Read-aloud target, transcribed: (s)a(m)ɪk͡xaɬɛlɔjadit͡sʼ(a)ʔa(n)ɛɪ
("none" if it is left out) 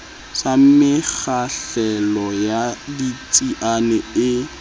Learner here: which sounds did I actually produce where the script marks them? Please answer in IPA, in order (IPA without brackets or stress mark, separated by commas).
s, m, i, n